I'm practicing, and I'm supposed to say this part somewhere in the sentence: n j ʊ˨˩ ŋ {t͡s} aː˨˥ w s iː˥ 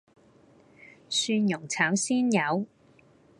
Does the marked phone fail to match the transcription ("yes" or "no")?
yes